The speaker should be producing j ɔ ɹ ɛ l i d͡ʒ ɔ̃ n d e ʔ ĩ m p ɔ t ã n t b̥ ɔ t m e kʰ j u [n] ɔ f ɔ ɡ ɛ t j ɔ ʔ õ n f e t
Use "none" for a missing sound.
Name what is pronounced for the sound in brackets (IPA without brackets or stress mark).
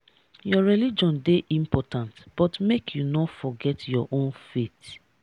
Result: n